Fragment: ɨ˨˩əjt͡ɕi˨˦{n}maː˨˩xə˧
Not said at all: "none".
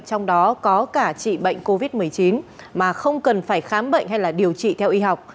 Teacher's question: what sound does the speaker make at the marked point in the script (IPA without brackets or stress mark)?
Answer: n